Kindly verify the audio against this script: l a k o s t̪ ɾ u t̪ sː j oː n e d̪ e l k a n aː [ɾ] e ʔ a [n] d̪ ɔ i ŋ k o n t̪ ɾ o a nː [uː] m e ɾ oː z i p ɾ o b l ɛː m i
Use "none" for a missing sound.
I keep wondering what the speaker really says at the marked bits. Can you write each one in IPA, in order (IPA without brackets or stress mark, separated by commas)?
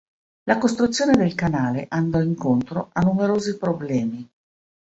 l, n, u